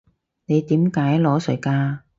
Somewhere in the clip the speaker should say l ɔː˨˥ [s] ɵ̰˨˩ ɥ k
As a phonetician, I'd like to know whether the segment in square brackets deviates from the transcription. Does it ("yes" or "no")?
no